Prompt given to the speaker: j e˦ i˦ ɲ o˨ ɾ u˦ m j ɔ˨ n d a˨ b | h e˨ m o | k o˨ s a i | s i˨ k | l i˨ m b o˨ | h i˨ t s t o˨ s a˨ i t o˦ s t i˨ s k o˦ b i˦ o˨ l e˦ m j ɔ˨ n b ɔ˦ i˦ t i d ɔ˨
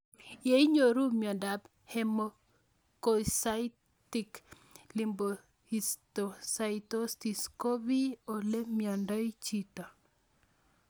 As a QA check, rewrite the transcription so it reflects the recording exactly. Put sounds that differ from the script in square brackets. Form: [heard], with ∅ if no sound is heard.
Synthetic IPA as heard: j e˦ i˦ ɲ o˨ ɾ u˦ m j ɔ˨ n d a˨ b | h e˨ m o | k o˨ s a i | [t] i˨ k | l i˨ m b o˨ | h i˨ [∅] s t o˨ s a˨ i t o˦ s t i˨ s k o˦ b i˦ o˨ l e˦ m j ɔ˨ n [d] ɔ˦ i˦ [t͡ʃ] i [t] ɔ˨